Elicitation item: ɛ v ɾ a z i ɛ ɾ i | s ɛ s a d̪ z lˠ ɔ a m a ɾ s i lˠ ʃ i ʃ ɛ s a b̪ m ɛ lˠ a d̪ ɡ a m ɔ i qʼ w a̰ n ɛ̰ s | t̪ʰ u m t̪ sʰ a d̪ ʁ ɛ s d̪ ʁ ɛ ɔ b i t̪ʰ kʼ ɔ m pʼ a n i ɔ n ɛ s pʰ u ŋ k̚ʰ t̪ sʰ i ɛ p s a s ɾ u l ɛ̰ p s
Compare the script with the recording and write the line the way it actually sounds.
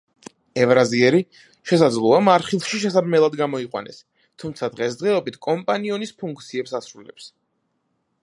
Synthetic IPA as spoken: ɛ v ɾ a z i ɛ ɾ i | ʃ ɛ s a d̪ z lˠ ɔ a m a ɾ χ i lˠ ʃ i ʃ ɛ s a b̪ m ɛ lˠ a d̪ ɡ a m ɔ i qʼ w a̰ n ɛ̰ s | t̪ʰ u m t̪ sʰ a d̪ ʁ ɛ s d̪ ʁ ɛ ɔ b i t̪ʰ kʼ ɔ m pʼ a n i ɔ n i s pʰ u ŋ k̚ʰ t̪ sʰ i ɛ p s a s ɾ u l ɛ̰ p s